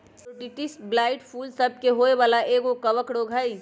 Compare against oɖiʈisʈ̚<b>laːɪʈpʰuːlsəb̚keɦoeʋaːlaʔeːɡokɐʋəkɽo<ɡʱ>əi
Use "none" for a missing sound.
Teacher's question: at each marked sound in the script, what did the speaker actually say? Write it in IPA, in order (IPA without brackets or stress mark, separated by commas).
b, ɡʱ